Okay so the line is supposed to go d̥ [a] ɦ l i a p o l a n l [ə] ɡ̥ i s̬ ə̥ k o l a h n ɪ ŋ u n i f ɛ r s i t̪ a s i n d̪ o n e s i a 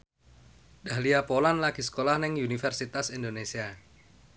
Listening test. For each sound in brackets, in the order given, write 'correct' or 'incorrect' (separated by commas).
correct, incorrect